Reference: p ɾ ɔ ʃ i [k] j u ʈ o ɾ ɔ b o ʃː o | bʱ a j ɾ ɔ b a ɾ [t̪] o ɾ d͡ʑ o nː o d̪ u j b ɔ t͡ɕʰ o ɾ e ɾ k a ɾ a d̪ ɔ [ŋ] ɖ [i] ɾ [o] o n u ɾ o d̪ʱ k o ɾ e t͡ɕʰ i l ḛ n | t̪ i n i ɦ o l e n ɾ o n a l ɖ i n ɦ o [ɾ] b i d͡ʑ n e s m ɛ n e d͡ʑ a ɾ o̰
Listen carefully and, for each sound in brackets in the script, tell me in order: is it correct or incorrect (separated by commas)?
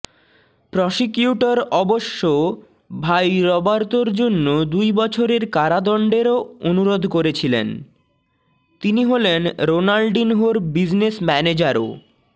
correct, correct, incorrect, incorrect, correct, correct